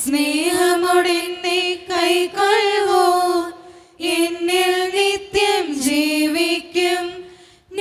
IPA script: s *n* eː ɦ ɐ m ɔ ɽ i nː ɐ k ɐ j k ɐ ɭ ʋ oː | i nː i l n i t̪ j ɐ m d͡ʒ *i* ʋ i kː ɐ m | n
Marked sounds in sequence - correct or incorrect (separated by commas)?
correct, incorrect